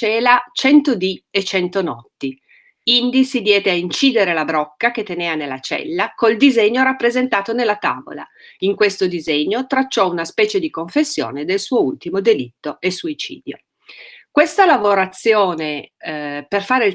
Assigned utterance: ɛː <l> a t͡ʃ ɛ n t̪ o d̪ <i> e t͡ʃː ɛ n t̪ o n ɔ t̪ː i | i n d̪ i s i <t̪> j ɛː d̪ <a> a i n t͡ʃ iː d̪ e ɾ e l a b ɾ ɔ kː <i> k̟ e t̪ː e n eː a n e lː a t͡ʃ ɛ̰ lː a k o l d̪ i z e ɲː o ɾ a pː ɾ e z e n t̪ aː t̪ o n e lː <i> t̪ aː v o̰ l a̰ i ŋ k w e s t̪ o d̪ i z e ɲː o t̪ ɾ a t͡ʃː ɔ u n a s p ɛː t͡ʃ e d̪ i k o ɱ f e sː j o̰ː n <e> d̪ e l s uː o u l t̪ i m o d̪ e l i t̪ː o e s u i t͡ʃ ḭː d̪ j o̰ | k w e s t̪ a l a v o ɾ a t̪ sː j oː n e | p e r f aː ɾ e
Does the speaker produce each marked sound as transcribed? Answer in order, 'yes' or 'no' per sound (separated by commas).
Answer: yes, yes, no, no, no, no, yes